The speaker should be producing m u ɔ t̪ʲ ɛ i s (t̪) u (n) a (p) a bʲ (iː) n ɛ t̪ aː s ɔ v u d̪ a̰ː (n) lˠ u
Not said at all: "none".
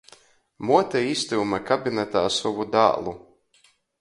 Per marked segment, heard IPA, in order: t̪, m, k, i, none

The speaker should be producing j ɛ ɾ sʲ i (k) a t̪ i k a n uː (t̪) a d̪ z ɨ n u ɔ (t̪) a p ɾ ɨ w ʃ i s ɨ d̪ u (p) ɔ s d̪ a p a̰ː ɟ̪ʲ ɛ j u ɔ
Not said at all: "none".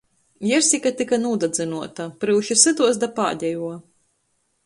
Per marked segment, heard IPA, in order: k, d̪, t̪, none

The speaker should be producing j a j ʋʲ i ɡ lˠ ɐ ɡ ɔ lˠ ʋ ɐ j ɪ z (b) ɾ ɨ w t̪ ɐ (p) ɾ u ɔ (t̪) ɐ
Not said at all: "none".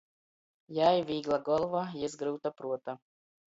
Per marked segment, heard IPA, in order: ɡ, p, t̪

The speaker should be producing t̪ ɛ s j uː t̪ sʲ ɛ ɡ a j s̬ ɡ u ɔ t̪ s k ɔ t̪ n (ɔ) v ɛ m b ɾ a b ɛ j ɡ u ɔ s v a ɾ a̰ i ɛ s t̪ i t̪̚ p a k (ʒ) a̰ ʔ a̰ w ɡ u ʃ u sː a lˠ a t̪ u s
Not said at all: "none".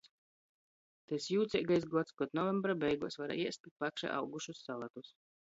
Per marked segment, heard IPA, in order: ɔ, ʃ

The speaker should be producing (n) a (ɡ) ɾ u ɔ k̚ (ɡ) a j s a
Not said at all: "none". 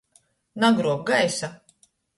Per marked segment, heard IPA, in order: n, ɡ, ɡ

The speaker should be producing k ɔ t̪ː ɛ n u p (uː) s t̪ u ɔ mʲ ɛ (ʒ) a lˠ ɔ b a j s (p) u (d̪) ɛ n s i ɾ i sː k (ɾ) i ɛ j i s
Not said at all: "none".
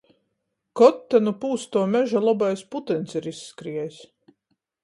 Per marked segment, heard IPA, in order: uː, ʒ, p, t̪, ɾ

